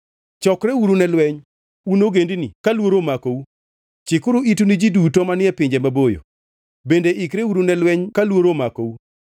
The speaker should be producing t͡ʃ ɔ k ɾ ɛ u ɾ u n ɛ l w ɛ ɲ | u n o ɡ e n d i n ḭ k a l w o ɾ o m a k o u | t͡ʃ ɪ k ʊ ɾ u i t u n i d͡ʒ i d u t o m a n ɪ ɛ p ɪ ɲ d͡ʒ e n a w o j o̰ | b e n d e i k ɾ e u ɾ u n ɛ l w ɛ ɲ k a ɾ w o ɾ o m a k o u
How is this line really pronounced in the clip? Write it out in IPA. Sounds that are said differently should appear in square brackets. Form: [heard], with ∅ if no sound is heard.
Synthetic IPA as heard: t͡ʃ ɔ k ɾ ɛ u ɾ u n ɛ l w ɛ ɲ | u n o ɡ e n d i n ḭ k a l w o ɾ o m a k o u | t͡ʃ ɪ k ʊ ɾ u i t u n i d͡ʒ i d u t o m a n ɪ ɛ p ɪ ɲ d͡ʒ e [m] a [b] o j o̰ | b e n d e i k ɾ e u ɾ u n ɛ l w ɛ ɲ k a [l] w o ɾ o m a k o u